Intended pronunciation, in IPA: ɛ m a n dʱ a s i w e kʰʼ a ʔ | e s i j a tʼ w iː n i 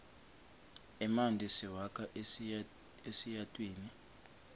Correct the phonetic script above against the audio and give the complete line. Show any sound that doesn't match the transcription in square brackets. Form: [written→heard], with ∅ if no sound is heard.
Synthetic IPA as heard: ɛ m a n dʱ [a→i] s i w [e→a] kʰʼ a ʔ | e s i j a tʼ w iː n i